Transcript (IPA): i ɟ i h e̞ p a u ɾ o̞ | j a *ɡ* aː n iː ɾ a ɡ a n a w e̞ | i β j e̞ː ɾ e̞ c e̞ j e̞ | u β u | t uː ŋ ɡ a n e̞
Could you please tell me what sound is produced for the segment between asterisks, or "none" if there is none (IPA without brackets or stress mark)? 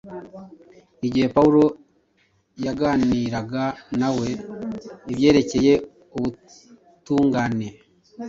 ɡ